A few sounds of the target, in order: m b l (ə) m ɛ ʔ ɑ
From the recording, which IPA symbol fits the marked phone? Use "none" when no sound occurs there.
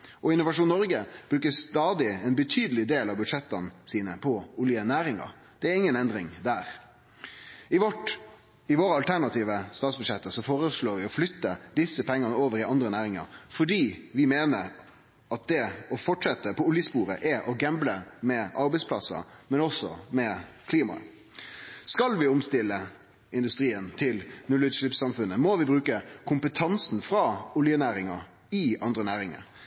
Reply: ə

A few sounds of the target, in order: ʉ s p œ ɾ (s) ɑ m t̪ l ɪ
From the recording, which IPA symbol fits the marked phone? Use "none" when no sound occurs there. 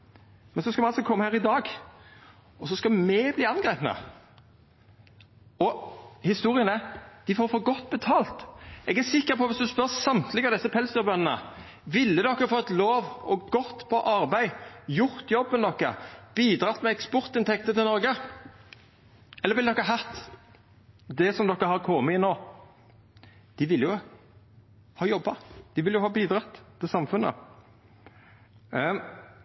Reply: s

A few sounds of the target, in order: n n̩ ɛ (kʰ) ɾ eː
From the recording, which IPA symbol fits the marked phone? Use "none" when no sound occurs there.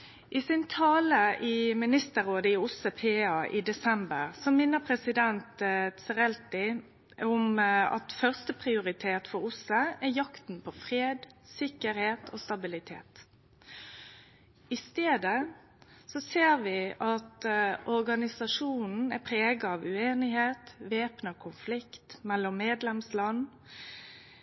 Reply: pʰ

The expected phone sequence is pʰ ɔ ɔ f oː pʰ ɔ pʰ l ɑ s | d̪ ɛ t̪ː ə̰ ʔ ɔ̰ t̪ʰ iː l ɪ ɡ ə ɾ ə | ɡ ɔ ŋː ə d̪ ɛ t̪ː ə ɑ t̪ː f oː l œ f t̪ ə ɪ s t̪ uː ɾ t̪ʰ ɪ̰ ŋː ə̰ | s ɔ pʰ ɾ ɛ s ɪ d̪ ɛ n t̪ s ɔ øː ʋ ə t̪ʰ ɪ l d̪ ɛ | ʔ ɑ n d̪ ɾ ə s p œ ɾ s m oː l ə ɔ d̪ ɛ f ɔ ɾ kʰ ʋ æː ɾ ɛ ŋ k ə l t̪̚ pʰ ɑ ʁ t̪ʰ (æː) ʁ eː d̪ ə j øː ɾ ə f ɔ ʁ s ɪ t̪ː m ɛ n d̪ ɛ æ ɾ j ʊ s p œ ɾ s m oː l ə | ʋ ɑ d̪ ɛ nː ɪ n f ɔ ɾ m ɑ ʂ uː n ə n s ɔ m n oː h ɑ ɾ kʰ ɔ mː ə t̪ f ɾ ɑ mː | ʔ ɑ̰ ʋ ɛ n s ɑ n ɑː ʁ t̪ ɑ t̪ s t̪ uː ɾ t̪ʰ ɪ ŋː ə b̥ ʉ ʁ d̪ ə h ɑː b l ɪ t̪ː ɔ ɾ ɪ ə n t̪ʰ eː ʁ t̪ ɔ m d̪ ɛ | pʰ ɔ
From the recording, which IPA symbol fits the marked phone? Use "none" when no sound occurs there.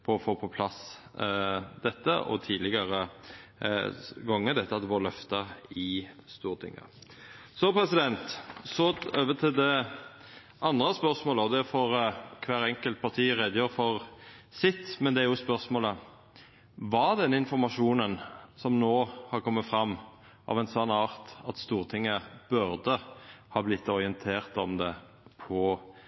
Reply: iː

